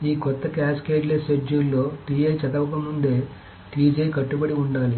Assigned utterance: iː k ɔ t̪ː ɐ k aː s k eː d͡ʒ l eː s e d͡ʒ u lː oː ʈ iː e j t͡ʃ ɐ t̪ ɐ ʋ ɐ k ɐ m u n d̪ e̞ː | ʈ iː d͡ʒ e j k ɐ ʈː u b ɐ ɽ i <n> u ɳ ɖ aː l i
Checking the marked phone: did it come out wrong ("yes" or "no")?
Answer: yes